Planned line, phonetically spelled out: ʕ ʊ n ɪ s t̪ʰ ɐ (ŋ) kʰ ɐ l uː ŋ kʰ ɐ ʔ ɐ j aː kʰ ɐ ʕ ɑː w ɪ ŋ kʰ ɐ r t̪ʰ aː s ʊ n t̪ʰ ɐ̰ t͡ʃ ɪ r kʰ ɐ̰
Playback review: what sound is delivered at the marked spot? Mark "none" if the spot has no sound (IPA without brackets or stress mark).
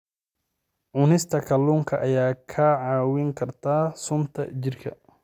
none